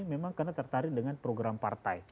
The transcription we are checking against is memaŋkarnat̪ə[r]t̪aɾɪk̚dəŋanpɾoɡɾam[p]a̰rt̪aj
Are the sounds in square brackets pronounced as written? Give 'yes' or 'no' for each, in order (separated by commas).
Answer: yes, yes